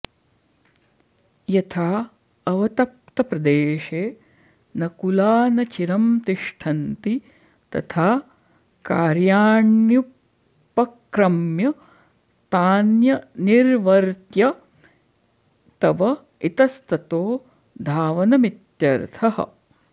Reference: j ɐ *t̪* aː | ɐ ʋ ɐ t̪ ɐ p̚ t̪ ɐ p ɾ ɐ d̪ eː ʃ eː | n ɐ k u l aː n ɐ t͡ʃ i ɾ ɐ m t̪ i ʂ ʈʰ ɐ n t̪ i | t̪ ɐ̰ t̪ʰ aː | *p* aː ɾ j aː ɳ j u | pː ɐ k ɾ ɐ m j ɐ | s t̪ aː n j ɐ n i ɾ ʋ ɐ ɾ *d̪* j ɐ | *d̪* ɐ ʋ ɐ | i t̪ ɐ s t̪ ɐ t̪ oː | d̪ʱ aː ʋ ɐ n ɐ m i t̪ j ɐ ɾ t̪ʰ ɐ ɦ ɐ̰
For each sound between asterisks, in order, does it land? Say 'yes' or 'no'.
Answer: no, no, no, no

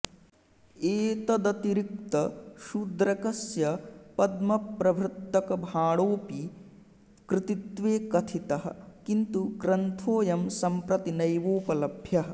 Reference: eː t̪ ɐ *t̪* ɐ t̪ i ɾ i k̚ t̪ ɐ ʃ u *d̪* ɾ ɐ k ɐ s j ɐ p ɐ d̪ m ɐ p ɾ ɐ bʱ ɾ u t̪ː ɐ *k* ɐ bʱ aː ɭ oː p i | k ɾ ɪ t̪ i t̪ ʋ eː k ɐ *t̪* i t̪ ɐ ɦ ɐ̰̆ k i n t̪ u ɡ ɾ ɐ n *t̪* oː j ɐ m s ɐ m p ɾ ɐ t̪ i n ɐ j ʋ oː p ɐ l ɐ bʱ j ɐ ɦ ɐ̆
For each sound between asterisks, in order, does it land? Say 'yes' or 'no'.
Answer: no, yes, yes, no, no

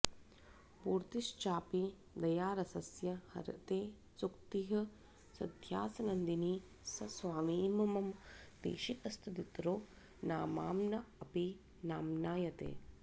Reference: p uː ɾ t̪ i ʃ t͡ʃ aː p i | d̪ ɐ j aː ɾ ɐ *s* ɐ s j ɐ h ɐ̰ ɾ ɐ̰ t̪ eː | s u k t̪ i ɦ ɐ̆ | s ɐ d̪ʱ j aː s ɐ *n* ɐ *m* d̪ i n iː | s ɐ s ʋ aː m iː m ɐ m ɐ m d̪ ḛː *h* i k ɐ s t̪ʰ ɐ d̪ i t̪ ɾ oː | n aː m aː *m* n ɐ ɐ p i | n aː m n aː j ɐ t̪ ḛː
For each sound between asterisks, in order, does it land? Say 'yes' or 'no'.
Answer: yes, yes, no, no, yes

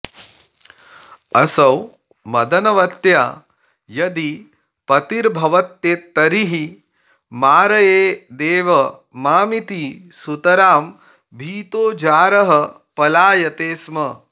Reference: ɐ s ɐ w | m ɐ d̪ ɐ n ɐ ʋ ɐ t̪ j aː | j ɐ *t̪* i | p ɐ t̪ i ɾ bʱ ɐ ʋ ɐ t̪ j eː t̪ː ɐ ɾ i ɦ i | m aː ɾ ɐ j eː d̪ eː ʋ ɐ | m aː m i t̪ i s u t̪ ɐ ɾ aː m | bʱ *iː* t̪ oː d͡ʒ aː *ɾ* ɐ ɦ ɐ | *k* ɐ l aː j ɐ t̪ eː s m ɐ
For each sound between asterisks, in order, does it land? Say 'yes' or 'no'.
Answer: no, yes, yes, no

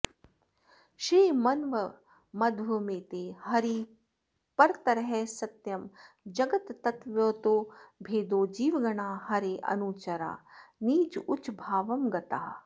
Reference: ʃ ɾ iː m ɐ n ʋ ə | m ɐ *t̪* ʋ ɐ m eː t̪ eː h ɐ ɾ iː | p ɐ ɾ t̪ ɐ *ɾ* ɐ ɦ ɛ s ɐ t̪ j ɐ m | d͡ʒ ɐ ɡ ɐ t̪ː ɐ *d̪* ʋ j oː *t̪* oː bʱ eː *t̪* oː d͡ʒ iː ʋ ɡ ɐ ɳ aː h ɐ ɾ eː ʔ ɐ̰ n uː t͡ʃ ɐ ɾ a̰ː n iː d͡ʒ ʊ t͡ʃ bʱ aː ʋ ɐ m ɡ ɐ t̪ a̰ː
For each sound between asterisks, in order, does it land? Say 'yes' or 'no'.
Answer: no, yes, no, yes, no

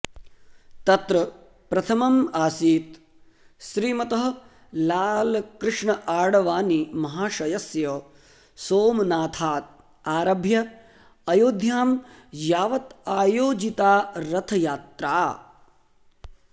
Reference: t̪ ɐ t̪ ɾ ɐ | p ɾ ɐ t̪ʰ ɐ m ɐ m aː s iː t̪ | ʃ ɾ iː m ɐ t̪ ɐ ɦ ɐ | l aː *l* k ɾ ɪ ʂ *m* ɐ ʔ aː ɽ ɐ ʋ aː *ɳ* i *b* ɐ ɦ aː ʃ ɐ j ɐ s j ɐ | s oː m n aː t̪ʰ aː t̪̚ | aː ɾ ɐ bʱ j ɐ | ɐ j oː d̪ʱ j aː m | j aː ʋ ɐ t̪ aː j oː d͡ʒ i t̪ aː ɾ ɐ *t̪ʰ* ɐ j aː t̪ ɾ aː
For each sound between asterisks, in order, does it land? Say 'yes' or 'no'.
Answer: yes, no, no, no, yes

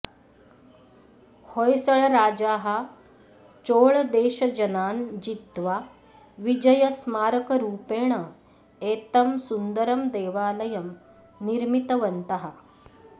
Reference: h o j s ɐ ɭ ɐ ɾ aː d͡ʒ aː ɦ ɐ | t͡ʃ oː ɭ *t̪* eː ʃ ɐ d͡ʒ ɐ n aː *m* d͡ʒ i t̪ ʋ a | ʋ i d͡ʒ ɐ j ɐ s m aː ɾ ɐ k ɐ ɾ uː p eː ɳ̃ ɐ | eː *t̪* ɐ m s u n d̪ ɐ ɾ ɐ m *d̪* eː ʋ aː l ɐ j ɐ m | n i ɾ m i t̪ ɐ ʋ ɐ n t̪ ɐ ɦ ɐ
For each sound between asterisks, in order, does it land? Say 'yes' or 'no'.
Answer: no, no, yes, yes

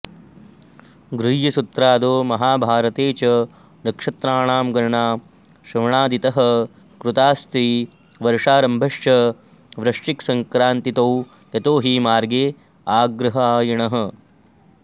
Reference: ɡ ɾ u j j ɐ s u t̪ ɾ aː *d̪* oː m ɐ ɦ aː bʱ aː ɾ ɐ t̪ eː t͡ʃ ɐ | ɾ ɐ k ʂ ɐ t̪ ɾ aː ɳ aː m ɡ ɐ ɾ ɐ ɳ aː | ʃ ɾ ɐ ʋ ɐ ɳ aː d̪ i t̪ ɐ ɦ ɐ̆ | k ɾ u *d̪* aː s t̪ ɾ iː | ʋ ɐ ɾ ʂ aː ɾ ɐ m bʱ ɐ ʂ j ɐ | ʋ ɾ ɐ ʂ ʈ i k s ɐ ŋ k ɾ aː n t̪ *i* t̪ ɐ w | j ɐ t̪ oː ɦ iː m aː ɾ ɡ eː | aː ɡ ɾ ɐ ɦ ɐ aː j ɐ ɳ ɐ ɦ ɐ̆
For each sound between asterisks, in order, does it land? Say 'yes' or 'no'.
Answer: yes, no, yes

